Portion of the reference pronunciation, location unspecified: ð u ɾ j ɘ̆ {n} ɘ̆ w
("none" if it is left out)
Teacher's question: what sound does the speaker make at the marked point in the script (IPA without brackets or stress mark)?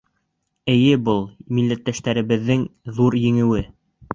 ŋ